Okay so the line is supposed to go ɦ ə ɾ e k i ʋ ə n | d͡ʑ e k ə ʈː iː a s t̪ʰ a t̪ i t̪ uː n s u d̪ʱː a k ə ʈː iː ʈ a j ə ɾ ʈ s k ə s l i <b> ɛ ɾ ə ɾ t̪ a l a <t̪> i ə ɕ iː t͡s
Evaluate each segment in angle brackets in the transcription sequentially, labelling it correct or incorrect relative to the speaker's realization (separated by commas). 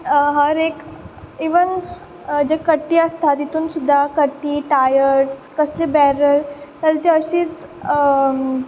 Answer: correct, correct